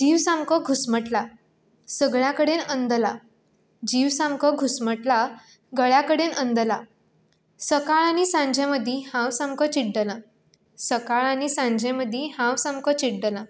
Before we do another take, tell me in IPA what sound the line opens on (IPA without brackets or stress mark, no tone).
d͡ʑ